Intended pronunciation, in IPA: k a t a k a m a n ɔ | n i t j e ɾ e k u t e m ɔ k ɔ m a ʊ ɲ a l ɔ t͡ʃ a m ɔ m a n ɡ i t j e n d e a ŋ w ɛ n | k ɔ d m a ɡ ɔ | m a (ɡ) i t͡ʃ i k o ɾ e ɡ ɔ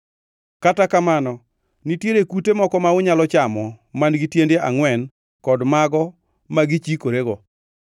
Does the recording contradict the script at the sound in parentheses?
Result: no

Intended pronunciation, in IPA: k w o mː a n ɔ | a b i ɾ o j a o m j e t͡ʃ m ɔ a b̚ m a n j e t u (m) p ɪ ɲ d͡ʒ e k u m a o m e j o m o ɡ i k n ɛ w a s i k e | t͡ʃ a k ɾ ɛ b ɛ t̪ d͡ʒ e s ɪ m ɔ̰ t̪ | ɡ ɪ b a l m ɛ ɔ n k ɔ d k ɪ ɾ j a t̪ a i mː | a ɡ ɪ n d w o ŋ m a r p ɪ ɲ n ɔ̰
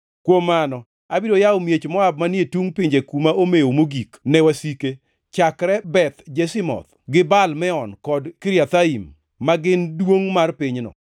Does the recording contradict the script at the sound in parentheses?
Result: yes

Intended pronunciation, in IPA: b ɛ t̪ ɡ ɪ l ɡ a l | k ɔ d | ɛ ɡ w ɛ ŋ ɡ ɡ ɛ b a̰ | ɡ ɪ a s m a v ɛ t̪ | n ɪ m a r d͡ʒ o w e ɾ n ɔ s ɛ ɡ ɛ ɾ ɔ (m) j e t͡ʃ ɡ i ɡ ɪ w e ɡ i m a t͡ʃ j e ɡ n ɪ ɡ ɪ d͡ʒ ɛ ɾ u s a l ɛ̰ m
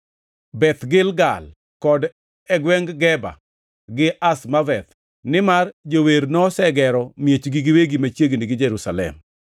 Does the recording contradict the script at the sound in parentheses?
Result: no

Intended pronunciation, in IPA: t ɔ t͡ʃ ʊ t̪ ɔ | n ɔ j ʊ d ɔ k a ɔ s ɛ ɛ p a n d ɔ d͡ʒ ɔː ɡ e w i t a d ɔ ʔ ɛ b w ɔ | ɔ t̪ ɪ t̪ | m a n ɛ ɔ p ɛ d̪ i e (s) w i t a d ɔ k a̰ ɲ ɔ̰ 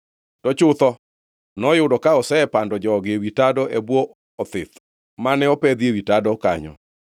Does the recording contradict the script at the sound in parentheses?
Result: yes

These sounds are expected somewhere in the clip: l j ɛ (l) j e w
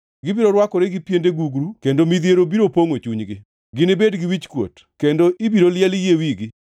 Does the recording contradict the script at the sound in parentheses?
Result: no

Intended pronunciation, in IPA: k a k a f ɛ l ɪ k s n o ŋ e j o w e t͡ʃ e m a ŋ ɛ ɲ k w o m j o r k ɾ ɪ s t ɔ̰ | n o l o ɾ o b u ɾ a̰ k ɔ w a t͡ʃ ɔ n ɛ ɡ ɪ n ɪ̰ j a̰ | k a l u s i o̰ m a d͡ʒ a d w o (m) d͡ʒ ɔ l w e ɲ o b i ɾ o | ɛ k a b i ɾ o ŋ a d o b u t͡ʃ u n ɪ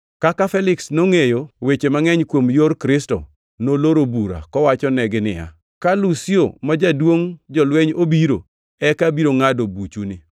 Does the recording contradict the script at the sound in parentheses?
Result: yes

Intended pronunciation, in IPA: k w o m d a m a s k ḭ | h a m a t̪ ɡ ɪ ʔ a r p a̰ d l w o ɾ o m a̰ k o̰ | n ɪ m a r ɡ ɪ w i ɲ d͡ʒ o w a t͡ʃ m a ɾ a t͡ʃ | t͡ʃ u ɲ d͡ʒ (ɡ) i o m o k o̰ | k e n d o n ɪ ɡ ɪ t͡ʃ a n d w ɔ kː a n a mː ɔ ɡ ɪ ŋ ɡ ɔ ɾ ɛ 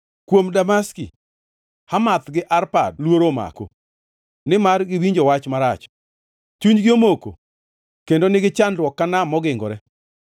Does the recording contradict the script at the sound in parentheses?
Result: no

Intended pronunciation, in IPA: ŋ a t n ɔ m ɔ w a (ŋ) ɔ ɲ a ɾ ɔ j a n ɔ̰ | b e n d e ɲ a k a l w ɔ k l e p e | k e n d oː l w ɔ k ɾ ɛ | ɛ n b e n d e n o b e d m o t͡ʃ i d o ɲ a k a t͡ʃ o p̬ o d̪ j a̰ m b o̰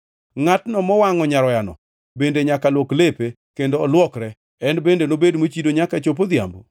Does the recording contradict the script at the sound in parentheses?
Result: no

